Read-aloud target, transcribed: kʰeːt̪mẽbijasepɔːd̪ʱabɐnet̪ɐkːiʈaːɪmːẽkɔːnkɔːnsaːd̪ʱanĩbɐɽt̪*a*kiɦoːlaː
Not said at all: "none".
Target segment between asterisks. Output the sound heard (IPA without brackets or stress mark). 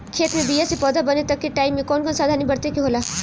e